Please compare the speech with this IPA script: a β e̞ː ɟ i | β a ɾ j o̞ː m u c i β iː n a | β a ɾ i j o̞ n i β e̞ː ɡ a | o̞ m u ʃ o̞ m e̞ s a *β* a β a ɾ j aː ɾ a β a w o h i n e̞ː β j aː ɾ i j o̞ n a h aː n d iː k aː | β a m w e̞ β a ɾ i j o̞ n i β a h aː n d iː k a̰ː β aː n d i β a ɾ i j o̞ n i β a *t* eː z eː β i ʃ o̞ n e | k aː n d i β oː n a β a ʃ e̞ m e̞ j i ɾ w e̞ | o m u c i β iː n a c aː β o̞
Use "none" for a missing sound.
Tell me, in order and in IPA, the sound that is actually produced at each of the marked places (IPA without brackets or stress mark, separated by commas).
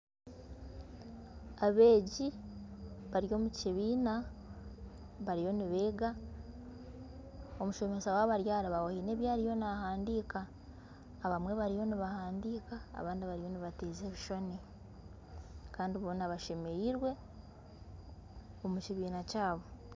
w, t